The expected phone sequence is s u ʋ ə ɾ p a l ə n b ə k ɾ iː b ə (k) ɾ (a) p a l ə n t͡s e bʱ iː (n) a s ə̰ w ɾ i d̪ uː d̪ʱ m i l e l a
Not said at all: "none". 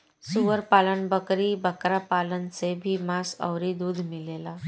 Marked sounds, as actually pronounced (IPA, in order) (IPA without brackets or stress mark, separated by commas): k, a, m